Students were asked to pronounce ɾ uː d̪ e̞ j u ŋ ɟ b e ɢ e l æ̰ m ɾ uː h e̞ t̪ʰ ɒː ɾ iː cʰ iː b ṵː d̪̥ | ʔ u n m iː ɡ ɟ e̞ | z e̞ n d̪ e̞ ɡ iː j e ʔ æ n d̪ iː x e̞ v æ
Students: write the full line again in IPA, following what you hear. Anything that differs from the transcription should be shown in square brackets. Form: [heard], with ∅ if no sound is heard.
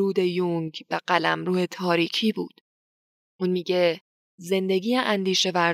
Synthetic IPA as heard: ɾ uː d̪ e̞ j u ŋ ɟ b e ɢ [æ] l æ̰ m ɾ uː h e̞ t̪ʰ ɒː ɾ iː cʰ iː b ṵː d̪̥ | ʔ u n m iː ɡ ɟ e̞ | z e̞ n d̪ e̞ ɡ iː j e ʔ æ n d̪ iː [ʃ] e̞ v æ